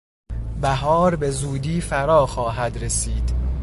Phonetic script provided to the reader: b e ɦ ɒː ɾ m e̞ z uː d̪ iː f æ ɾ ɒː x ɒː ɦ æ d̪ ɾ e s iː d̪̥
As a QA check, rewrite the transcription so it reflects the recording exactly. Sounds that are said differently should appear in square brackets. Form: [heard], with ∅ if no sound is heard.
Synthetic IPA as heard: b [æ] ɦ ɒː ɾ [b] e̞ z uː d̪ iː f æ ɾ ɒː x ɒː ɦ æ d̪ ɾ e s iː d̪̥